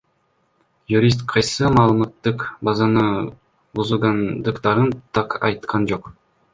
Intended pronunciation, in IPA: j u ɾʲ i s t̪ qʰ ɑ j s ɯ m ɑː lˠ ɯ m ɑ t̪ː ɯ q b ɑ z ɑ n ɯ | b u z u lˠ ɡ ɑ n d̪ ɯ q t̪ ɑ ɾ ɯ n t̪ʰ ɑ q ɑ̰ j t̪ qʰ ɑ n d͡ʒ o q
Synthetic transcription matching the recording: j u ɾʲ i s t̪ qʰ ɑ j s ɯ m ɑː lˠ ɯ m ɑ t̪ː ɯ q b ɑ z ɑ n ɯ | b u z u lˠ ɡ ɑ n d̪ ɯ q t̪ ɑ ɾ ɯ n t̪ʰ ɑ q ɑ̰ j t̪ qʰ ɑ n d͡ʒ o q